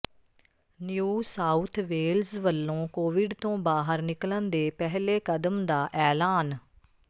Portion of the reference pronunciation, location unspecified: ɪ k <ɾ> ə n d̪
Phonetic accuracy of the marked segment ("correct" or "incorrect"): incorrect